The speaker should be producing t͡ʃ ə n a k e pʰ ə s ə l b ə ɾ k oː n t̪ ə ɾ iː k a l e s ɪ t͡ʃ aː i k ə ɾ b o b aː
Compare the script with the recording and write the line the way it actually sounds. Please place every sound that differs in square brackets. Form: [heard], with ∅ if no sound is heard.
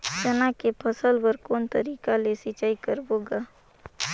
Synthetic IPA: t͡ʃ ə n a k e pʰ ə s ə l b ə ɾ k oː n t̪ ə ɾ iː k a l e s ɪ t͡ʃ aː i k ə ɾ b o [ɡ] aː